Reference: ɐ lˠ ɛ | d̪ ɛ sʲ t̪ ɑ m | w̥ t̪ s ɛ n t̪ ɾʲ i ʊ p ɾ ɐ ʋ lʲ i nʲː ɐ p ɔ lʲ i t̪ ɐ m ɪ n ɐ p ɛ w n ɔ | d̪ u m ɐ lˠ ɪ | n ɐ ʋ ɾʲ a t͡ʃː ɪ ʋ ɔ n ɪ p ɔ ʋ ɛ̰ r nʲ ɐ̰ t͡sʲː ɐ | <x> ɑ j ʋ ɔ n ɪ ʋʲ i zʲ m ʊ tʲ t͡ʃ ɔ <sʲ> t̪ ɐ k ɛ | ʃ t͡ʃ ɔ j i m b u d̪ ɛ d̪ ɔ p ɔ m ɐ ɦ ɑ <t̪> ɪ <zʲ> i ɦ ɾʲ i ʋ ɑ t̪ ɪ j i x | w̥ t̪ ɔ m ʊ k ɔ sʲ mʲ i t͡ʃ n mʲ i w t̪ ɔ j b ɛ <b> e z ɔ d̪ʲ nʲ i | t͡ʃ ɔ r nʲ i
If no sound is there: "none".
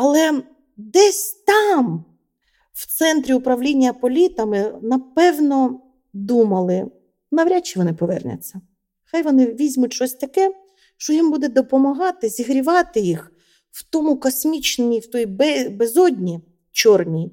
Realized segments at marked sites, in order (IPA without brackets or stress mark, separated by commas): x, sʲ, t̪, zʲ, b